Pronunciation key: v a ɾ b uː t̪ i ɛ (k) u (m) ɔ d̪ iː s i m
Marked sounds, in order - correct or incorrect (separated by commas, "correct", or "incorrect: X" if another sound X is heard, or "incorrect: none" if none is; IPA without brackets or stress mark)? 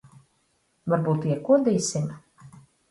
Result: correct, incorrect: none